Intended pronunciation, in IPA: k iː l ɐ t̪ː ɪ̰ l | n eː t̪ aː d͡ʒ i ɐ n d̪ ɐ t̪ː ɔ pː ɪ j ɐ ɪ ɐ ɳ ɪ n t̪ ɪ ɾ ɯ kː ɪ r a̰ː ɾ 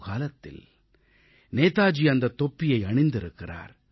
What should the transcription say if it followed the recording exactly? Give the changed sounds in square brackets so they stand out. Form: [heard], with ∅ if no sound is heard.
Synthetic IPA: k [aː] l ɐ t̪ː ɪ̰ l | n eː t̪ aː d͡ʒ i ɐ n d̪ ɐ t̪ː ɔ pː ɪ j ɐ ɪ ɐ ɳ ɪ n [d̪] ɪ ɾ ɯ kː ɪ r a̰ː ɾ